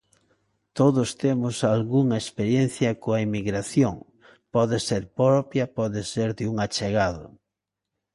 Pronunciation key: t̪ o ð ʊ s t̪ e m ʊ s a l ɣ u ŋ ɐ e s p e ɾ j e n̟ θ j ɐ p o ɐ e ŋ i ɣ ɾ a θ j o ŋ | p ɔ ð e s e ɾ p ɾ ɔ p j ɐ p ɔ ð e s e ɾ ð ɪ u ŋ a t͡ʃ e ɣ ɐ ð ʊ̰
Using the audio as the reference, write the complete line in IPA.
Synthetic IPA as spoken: t̪ o ð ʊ s t̪ e m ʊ s a l ɣ u ŋ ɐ e s p e ɾ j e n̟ θ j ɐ k o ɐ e m i ɣ ɾ a θ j o ŋ | p ɔ ð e s e ɾ p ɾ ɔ p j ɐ p ɔ ð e s e ɾ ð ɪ u ŋ a t͡ʃ e ɣ a ð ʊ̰